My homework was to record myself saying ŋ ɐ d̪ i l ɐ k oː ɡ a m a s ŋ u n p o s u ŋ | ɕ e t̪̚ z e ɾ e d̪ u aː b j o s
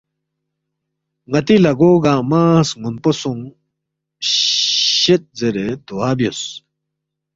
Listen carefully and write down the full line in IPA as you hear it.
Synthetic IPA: ŋ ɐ t̪ i l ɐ ɡ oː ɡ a m a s ŋ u n p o s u ŋ | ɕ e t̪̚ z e ɾ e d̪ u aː b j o s